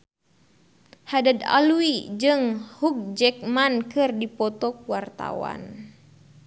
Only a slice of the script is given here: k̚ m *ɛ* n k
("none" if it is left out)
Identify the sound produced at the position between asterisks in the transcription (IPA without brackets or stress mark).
a